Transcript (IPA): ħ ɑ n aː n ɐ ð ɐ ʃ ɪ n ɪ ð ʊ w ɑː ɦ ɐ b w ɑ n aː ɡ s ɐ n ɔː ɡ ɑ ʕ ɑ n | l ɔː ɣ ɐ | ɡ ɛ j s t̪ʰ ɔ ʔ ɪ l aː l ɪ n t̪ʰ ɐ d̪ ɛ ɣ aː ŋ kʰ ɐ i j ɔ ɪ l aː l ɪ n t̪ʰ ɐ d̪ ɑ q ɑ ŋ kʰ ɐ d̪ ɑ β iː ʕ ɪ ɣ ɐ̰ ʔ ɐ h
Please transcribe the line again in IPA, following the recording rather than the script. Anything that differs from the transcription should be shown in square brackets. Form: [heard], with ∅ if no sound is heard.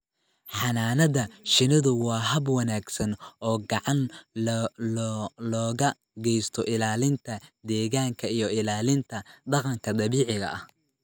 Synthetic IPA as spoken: ħ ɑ n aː n ɐ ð ɐ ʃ ɪ n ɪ ð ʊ w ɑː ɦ ɐ b w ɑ n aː ɡ s ɐ n ɔː ɡ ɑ ʕ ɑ n | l ɔː ɣ ɐ | ɡ ɛ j s t̪ʰ ɔ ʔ ɪ l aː l ɪ n t̪ʰ ɐ d̪ [ɛː] ɣ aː ŋ kʰ ɐ i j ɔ ɪ l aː l ɪ n t̪ʰ ɐ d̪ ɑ q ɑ ŋ kʰ ɐ d̪ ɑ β iː ʕ ɪ ɣ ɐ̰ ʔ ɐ h